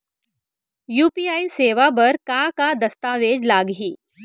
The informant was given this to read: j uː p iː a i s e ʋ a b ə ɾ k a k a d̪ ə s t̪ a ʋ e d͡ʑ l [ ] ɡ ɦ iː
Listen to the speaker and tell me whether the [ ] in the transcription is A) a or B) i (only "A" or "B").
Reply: A